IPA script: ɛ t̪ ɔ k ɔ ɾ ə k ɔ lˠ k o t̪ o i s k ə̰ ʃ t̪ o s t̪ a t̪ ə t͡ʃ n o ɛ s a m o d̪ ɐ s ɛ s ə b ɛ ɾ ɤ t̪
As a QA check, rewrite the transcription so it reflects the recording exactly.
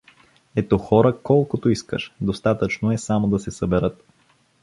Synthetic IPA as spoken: ɛ t̪ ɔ x ɔ ɾ ə k ɔ lˠ k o t̪ o i s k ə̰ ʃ d̪ o s t̪ a t̪ ə t͡ʃ n o ɛ s a m o d̪ ɐ s ɛ s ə b ɛ ɾ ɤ t̪